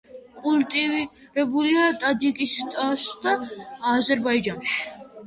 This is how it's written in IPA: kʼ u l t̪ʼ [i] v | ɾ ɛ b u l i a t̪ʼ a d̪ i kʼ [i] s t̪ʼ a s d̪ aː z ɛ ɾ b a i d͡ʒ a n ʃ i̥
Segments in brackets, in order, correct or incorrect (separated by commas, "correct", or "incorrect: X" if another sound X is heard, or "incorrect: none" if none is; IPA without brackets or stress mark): correct, correct